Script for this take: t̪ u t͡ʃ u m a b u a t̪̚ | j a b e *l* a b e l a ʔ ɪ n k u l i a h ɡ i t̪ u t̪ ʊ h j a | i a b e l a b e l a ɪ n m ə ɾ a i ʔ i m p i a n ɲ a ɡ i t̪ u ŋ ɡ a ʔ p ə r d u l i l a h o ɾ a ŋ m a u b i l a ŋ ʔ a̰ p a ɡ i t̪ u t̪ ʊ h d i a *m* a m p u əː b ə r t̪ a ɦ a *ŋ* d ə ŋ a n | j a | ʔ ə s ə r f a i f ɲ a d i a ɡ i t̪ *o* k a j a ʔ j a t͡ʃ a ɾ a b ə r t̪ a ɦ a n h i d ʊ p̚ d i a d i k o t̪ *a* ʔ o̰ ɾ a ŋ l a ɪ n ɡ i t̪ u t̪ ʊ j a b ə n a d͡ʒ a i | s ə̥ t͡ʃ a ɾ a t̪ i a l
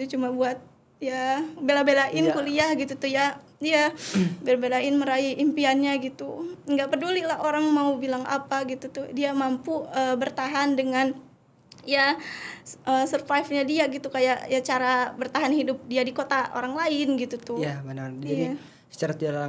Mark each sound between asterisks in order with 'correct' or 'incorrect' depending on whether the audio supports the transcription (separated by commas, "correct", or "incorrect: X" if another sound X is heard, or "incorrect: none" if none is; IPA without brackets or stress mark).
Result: correct, correct, incorrect: n, incorrect: u, correct